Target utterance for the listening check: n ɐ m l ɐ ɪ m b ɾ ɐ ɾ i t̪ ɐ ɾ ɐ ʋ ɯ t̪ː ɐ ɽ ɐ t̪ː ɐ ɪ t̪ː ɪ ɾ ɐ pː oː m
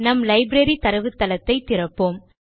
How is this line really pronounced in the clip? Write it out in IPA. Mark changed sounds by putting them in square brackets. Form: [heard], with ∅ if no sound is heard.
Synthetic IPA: n ɐ m l ɐ ɪ [∅] b ɾ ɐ ɾ i t̪ ɐ ɾ ɐ ʋ ɯ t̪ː ɐ [l] ɐ t̪ː ɐ ɪ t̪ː ɪ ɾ ɐ pː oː m